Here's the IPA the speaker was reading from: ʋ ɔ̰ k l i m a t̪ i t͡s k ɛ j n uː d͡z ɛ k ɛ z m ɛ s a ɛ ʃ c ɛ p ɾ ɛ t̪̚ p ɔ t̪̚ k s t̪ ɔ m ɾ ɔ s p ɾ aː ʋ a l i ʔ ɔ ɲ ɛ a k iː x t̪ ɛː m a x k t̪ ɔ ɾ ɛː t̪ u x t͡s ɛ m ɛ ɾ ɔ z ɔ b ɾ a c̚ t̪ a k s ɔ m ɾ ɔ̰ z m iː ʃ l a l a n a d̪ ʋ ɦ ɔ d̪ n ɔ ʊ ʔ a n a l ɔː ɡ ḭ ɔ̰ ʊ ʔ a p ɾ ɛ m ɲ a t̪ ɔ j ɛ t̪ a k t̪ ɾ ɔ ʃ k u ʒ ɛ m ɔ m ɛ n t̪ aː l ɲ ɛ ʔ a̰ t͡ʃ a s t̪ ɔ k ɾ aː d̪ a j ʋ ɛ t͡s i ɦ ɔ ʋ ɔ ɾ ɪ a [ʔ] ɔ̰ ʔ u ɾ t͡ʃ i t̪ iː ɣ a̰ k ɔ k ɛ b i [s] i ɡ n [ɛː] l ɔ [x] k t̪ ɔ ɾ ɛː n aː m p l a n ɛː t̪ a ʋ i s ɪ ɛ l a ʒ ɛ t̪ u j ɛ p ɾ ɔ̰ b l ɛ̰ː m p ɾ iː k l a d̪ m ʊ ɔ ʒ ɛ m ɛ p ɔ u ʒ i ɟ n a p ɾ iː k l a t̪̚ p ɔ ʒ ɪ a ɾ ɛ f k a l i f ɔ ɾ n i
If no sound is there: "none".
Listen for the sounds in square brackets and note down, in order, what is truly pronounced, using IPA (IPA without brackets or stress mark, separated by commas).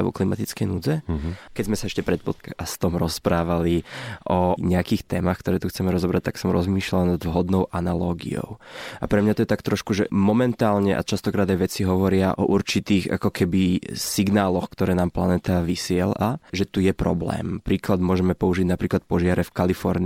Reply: ʔ, s, aː, x